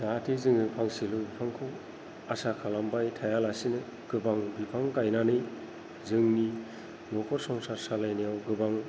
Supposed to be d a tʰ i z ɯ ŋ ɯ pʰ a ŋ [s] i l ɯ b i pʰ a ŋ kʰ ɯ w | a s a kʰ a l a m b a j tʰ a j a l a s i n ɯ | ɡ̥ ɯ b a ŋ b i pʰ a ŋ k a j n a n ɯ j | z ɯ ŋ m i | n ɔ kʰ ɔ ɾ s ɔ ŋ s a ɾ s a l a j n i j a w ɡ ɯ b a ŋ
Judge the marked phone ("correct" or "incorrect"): correct